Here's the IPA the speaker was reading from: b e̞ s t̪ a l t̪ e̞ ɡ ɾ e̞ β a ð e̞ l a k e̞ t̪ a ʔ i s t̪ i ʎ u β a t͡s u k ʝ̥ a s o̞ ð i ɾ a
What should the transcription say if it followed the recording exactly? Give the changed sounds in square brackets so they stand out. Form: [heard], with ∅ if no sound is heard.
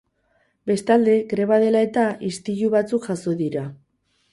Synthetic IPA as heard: b e̞ s t̪ a l [d̪] e̞ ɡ ɾ e̞ β a ð e̞ l a [∅] e̞ t̪ a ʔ i s t̪ i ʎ u β a t͡s u k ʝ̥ a s o̞ ð i ɾ a

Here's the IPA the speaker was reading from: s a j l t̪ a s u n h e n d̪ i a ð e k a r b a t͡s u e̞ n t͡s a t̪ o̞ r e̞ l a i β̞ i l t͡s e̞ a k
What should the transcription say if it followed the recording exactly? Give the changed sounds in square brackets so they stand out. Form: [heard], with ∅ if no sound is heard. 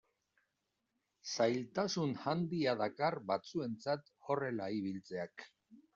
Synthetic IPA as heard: s a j l t̪ a s u n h [a] n d̪ i a ð [a] k a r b a t͡s u e̞ n t͡s a t̪ o̞ r e̞ l a i β̞ i l t͡s e̞ a k

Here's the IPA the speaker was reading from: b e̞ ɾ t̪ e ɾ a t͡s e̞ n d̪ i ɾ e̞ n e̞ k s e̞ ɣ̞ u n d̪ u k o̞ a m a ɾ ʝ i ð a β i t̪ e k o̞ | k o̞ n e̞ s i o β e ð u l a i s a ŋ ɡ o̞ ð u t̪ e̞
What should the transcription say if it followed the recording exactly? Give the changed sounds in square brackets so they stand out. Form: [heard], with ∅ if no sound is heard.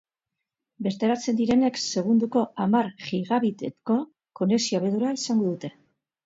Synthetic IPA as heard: b e̞ ɾ t̪ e ɾ a t͡s e̞ n d̪ i ɾ e̞ n e̞ k s e̞ ɣ̞ u n d̪ u k o̞ a m a ɾ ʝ i [ɣ] a β i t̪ e k o̞ | k o̞ n e̞ s i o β e ð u [ɾ] a i s a ŋ ɡ o̞ ð u t̪ e̞

